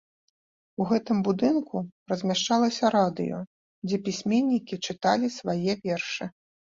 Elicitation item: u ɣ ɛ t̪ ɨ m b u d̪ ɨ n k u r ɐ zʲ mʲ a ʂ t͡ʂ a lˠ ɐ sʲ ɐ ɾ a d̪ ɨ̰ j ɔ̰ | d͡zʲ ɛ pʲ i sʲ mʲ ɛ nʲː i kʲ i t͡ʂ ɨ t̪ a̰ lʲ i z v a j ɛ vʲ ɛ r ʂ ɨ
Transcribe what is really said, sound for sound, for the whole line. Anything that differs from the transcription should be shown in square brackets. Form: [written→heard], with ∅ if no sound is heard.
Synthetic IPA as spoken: u ɣ ɛ t̪ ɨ m b u d̪ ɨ n k u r ɐ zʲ mʲ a ʂ t͡ʂ a lˠ ɐ sʲ ɐ ɾ a d̪ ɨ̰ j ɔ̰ | d͡zʲ ɛ pʲ i sʲ mʲ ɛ nʲː i kʲ i t͡ʂ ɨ t̪ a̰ lʲ i [z→s] v a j ɛ vʲ ɛ r ʂ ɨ